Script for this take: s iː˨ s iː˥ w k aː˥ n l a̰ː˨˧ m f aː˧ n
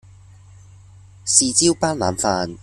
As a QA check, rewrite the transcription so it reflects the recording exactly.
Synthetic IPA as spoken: s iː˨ t͡s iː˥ w p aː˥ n l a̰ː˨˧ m f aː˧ n